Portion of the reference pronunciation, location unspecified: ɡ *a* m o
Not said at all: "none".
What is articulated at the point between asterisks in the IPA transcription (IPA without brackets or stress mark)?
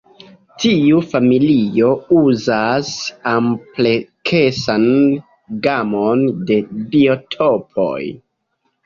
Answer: a